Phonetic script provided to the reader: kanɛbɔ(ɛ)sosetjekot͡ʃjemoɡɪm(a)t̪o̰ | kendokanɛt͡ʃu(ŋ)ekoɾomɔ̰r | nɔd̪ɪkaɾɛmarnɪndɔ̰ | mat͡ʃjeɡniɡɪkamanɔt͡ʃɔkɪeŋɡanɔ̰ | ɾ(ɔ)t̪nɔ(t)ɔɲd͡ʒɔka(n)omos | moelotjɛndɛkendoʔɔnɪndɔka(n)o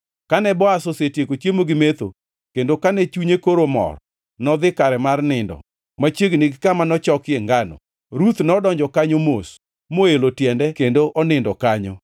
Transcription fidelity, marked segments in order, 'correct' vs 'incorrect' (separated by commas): incorrect, incorrect, incorrect, incorrect, incorrect, incorrect, incorrect